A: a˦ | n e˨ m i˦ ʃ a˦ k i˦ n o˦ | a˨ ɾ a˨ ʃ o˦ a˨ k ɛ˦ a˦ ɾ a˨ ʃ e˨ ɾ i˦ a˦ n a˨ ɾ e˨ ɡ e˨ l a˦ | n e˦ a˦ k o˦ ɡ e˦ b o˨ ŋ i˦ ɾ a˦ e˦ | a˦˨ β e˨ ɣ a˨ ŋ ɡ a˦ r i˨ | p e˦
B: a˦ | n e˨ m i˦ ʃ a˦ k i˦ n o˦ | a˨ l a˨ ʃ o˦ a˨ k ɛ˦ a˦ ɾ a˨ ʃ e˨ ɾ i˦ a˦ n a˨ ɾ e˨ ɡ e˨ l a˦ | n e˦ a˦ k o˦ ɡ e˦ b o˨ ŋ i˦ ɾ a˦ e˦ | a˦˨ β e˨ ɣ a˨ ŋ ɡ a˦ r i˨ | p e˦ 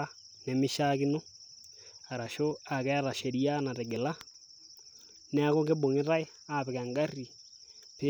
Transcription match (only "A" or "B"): A